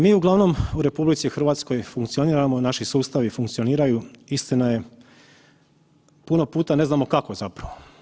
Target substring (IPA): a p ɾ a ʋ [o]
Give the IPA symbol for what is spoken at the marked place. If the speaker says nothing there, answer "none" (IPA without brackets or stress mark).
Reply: o